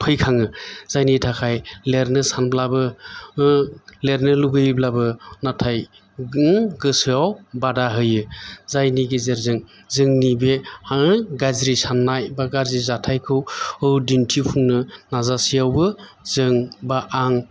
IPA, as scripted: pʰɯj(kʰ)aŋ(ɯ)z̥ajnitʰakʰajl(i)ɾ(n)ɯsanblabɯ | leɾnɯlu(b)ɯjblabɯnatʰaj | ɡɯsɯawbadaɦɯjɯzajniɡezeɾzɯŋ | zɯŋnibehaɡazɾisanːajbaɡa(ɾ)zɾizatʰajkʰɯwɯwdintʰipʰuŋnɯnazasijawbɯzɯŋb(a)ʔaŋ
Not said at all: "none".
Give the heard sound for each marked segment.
kʰ, ɯ, e, n, ɡ, ɾ, a

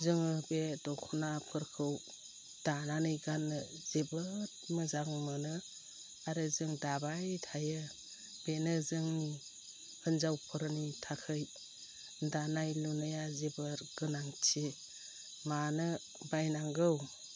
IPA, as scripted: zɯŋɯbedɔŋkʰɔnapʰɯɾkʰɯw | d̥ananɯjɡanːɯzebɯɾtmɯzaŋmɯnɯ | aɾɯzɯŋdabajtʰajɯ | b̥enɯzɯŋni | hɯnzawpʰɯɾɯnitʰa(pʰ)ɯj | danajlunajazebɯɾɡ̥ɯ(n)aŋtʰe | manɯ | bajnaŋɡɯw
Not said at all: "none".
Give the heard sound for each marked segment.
kʰ, n

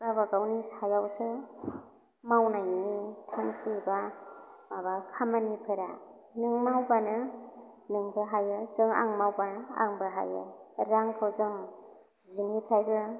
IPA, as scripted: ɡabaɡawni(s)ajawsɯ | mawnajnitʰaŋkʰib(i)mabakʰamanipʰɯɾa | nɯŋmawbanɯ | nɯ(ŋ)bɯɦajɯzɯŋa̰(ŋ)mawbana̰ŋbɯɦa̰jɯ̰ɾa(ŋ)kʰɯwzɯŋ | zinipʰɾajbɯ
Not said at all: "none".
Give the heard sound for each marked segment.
s, a, ŋ, ŋ, ŋ

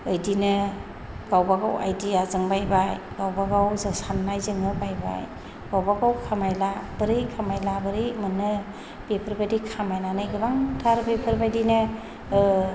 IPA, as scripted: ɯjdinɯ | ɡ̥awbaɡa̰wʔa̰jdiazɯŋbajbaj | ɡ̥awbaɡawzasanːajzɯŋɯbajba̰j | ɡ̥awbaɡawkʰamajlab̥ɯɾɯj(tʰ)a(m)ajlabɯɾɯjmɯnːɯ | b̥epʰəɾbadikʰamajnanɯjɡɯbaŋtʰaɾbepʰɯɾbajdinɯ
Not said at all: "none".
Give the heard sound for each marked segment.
kʰ, m

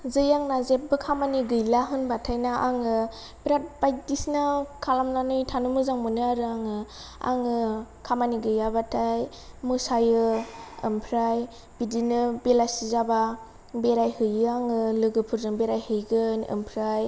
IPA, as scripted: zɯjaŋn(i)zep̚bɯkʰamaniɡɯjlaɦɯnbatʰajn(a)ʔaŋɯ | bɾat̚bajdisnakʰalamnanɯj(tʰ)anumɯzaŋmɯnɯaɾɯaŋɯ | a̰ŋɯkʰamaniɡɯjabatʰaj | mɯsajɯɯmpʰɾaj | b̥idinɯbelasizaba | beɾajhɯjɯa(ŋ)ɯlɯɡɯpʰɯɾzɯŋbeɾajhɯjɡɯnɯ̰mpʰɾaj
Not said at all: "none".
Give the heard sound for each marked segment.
a, a, tʰ, ŋ

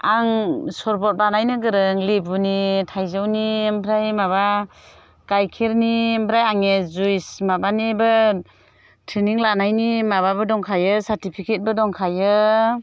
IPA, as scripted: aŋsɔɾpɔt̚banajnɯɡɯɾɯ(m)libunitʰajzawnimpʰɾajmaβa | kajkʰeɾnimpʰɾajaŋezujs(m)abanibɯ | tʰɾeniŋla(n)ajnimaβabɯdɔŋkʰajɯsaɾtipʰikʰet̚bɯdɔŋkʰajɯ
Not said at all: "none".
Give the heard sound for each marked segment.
ŋ, m, n

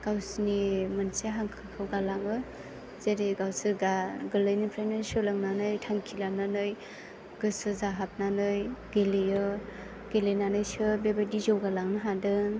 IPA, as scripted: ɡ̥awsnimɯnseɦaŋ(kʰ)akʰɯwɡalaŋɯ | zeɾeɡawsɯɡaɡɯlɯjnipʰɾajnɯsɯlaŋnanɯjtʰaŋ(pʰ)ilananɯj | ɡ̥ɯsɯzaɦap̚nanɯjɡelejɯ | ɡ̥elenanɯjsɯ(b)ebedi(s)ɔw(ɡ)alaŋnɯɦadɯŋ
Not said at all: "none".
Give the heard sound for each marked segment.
kʰ, kʰ, b, z, ɡ

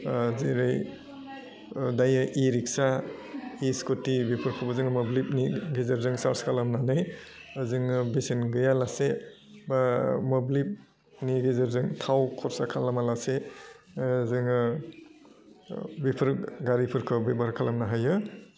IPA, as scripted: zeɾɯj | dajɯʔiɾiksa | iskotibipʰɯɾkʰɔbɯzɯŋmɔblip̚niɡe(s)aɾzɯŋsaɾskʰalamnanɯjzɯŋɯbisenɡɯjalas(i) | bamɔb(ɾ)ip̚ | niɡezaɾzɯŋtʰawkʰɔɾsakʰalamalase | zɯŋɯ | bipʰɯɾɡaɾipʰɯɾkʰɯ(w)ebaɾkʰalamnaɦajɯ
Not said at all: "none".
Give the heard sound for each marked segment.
z, e, l, b

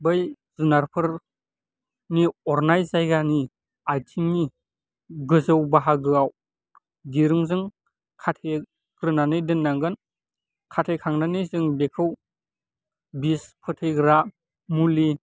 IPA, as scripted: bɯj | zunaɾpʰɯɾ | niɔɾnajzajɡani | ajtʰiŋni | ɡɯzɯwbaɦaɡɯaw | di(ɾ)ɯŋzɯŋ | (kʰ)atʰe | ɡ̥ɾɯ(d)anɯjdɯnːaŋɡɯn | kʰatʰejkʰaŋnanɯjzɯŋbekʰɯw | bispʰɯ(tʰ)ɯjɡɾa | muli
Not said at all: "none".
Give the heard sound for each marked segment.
ɾ, kʰ, n, tʰ

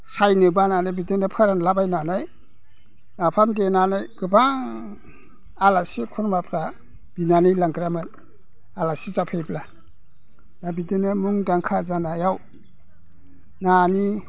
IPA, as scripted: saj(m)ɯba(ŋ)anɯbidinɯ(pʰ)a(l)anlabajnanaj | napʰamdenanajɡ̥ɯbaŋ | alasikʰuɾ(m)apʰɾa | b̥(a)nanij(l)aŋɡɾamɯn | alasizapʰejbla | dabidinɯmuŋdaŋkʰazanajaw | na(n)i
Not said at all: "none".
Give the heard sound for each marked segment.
n, n, pʰ, ɾ, m, i, l, n

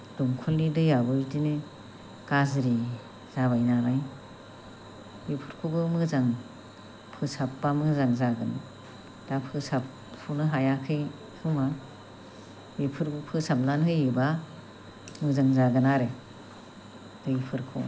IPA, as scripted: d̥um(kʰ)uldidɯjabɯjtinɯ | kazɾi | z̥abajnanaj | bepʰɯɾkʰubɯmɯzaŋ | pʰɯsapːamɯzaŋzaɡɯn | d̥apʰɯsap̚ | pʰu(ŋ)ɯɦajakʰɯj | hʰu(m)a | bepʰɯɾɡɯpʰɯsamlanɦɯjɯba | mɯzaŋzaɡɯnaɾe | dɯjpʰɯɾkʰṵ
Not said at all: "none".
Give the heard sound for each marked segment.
kʰ, n, m

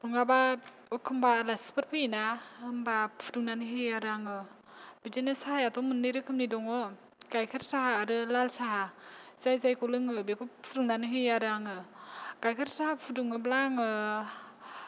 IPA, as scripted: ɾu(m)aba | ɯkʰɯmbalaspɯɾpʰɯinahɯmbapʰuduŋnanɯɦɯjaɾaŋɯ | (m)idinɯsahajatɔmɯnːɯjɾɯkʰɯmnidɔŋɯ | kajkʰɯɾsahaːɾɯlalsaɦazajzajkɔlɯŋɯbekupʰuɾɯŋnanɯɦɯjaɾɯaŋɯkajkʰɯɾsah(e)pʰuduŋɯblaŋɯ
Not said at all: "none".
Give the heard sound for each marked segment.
ŋ, b, a

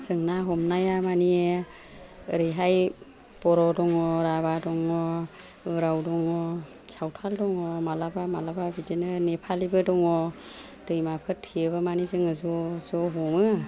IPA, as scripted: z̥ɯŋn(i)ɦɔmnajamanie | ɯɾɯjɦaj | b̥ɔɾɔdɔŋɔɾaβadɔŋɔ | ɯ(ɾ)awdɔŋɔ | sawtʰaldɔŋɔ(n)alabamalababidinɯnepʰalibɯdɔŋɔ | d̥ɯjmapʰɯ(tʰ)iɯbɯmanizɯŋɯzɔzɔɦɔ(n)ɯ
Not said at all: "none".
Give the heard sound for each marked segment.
a, ɾ, m, tʰ, m

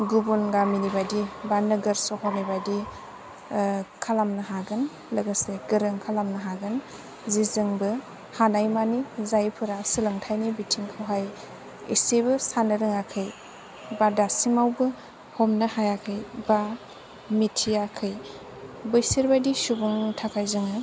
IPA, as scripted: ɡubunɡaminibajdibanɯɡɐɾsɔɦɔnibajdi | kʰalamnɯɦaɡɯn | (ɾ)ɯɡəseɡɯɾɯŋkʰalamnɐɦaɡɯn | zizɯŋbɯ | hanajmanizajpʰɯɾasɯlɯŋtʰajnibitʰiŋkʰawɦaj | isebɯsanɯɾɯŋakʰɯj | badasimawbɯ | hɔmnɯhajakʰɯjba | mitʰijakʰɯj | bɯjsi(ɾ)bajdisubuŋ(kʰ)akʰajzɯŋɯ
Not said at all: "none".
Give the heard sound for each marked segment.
l, ɾ, tʰ

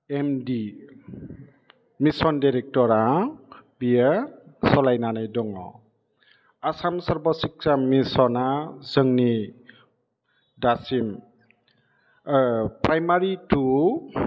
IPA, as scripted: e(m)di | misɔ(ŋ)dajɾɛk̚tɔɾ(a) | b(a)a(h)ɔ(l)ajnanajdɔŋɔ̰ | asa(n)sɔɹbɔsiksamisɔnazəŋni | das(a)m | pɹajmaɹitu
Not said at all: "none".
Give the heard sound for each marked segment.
m, n, a, i, s, l, m, i

